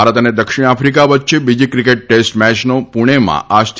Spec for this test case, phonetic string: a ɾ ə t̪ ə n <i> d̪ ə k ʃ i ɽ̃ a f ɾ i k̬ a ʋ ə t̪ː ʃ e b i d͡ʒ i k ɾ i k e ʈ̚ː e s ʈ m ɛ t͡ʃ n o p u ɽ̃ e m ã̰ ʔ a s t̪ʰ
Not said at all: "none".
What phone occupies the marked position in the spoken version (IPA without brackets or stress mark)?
e